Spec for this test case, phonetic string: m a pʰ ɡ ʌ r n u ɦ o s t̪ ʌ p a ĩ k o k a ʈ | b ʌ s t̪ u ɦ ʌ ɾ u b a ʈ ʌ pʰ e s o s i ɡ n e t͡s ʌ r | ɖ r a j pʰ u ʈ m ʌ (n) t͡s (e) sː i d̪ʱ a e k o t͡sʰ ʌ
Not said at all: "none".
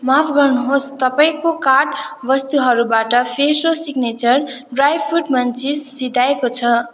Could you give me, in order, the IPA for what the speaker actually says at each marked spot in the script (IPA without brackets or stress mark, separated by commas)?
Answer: n, i